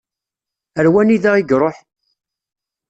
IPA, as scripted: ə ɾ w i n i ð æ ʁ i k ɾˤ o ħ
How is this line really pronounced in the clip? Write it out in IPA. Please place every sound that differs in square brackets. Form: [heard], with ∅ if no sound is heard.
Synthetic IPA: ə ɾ w [æ] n i ð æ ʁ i [ɡ] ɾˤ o ħ